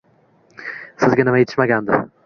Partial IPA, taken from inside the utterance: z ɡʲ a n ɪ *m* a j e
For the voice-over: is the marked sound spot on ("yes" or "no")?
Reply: yes